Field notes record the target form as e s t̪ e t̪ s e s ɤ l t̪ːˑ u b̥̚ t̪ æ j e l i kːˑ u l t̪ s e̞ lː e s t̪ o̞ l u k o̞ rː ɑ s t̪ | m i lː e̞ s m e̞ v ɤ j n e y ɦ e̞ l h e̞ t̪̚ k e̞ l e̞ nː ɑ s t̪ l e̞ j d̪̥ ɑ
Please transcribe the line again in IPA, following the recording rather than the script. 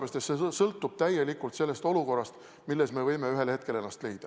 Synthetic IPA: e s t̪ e t̪ s e s ɤ l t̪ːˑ u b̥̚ t̪ æ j e l i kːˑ u l t̪ s e̞ lː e s t̪ o̞ l u k o̞ rː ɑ s t̪ | m i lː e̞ s m e̞ v ɤ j m e y ɦ e̞ l h e̞ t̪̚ k e̞ l e̞ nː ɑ s t̪ l e̞ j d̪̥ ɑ